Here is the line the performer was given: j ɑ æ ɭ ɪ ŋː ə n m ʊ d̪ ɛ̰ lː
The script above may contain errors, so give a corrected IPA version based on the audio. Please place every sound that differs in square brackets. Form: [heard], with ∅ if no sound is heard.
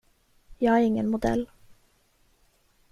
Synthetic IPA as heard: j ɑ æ [ɾ] ɪ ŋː ə n m ʊ d̪ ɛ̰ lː